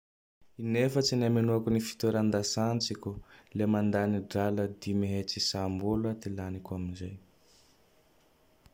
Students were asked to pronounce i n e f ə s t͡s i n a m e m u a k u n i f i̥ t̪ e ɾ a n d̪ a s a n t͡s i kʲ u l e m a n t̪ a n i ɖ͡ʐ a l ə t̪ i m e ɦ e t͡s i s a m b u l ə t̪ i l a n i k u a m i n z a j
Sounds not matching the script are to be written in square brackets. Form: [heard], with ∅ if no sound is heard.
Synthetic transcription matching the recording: i n e f ə [∅] t͡s i n a m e [n] u a k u n i f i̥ t̪ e ɾ a n d̪ a s a n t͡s i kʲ u l e m a n [d̪] a n i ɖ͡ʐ a l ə [d̪] i m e ɦ e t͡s i s a m b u l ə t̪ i l a n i k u a m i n z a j